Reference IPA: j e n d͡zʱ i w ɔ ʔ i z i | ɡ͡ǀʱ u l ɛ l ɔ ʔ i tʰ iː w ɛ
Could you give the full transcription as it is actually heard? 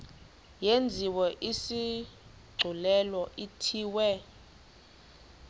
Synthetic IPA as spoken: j e n d͡zʱ i w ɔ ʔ i s i | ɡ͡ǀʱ u l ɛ l ɔ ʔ i tʰ iː w ɛ